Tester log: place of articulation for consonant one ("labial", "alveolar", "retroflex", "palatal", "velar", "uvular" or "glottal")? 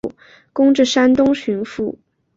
velar